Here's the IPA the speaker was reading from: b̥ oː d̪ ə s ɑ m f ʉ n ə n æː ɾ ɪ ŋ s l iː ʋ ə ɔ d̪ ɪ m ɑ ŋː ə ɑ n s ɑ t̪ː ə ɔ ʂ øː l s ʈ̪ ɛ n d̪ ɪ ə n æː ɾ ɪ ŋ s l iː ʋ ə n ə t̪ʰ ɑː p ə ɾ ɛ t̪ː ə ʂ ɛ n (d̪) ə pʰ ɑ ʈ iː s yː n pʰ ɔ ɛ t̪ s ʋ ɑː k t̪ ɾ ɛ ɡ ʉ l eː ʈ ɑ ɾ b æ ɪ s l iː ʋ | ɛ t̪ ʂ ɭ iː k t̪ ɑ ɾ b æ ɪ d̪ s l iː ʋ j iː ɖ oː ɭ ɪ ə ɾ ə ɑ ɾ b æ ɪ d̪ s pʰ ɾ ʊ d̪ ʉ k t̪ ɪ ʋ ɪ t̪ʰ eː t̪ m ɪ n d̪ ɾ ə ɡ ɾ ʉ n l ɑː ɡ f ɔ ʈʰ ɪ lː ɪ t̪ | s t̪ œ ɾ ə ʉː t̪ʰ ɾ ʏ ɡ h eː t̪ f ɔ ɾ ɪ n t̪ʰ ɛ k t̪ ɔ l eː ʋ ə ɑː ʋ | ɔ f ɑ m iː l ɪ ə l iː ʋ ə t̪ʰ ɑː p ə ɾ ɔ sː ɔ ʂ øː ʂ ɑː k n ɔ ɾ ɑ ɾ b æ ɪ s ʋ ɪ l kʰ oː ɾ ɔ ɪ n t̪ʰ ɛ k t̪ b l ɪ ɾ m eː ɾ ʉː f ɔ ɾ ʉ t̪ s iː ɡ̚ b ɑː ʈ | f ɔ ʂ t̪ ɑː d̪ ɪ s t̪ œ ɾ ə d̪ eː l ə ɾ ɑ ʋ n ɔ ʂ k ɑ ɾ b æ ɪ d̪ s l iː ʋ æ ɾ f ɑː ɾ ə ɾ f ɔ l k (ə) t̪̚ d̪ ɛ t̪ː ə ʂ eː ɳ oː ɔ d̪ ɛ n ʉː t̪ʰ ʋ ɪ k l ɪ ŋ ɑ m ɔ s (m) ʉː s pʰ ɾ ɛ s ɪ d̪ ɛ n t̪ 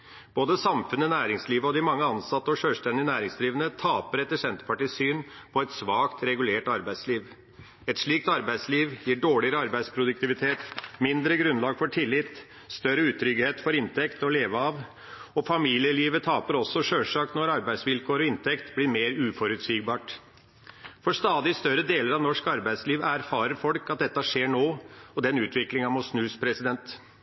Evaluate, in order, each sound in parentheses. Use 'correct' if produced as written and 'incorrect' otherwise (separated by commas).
incorrect, incorrect, incorrect